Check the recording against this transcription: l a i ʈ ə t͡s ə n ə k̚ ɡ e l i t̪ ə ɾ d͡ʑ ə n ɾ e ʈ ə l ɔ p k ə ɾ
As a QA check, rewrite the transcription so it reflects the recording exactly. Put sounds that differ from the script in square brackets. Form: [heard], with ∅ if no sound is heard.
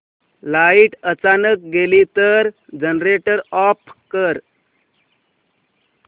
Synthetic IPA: l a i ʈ ə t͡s [a] n ə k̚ ɡ e l i t̪ ə ɾ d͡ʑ ə n ɾ e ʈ ə [ɾ] ɔ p k ə ɾ